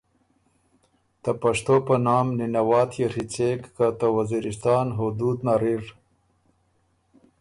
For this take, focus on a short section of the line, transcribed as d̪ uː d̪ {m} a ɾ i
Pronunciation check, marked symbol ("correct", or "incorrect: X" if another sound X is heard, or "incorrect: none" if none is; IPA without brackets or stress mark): incorrect: n